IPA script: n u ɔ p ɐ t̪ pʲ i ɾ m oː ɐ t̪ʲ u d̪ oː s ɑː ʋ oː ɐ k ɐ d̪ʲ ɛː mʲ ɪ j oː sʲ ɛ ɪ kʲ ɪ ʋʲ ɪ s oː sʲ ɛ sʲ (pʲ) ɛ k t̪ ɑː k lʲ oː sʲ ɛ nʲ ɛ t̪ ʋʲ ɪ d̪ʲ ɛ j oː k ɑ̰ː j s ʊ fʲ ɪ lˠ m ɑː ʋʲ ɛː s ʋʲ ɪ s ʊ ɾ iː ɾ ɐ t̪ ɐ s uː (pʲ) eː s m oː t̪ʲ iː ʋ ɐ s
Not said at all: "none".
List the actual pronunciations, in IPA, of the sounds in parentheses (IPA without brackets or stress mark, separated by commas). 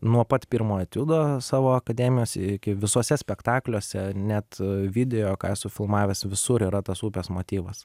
pʲ, pʲ